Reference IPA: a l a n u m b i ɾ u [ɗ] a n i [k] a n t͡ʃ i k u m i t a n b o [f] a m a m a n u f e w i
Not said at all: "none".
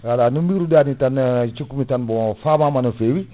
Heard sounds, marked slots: d, t, f

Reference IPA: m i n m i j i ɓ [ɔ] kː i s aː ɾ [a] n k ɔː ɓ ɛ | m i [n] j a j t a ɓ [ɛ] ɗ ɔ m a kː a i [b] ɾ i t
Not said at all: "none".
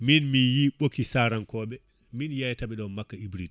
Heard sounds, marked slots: o, a, n, ɛ, b

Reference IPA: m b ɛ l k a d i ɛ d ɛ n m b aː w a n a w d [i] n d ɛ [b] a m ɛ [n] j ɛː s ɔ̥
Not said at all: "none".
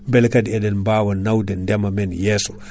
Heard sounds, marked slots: ɛ, m, n

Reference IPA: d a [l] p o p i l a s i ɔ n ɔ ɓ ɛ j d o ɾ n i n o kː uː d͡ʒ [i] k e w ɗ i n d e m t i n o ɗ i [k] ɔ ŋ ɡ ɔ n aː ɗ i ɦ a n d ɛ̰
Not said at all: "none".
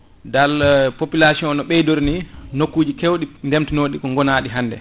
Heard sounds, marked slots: l, i, k

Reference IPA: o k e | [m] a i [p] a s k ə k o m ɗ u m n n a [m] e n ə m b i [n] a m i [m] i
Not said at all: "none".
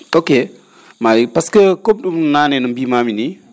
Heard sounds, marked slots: m, p, n, m, n

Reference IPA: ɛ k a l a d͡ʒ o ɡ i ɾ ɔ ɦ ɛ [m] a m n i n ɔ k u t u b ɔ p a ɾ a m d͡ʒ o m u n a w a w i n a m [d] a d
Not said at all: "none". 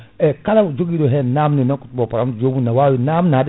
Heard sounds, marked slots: n, n

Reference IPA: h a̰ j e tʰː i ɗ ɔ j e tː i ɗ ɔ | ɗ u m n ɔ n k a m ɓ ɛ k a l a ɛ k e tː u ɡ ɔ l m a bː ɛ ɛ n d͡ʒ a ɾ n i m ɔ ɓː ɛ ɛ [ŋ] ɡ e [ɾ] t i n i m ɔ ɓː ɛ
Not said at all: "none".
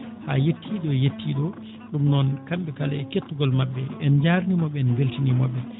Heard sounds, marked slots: n, l

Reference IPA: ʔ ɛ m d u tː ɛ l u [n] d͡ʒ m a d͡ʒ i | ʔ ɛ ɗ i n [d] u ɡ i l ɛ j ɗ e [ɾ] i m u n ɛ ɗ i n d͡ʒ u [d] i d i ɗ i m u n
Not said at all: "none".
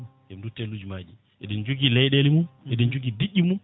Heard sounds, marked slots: none, d͡ʒ, l, ɡ

